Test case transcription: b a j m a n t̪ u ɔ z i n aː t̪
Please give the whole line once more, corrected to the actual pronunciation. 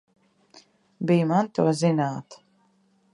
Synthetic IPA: b i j m a n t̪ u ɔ z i n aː t̪